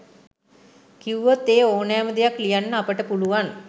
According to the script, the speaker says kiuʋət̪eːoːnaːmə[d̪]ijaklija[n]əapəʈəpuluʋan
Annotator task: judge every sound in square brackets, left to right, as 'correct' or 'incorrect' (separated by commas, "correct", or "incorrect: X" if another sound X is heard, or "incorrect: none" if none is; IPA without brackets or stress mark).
correct, incorrect: nː